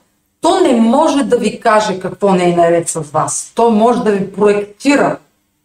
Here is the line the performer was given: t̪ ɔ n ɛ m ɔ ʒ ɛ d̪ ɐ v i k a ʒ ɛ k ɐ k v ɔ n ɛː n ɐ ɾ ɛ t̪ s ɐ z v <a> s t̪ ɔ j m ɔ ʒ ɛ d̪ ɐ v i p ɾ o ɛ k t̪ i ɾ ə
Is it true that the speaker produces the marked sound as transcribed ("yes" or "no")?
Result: yes